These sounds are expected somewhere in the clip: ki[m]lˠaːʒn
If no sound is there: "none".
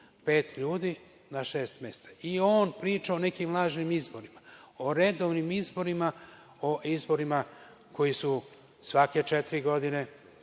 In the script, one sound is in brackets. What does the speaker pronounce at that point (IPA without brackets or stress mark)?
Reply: m